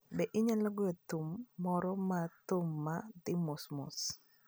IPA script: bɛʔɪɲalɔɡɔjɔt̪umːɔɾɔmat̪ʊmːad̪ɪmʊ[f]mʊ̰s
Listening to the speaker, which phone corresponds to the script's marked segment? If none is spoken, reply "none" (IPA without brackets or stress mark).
s